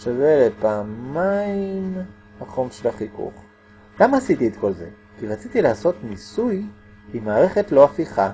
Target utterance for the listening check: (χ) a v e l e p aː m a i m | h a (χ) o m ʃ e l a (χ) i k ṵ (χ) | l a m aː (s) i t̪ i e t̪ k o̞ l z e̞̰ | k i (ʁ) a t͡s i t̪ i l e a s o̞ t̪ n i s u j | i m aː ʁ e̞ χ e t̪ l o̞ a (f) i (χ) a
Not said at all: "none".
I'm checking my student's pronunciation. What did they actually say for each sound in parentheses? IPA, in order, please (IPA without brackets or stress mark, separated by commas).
ʃ, χ, χ, χ, s, ʁ, f, χ